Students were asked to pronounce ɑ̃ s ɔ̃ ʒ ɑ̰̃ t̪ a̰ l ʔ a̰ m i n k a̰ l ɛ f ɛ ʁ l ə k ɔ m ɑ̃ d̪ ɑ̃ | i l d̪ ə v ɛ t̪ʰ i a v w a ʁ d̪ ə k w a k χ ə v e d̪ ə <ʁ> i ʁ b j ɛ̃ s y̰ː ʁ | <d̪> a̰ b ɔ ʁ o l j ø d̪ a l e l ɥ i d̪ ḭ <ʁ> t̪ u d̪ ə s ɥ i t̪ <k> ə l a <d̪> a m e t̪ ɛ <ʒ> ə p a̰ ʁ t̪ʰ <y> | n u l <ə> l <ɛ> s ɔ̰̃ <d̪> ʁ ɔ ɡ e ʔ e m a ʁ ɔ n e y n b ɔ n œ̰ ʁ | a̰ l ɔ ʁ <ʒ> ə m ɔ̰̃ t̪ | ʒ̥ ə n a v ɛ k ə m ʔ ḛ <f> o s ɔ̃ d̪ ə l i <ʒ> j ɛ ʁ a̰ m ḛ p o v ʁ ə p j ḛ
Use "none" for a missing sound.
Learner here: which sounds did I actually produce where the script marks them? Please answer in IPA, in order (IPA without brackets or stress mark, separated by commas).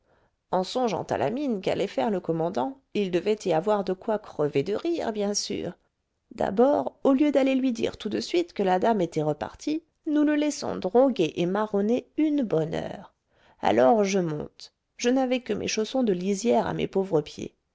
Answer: ʁ, d̪, ʁ, k, d̪, ʁ, i, ə, ɛ, d̪, ʒ, ʃ, z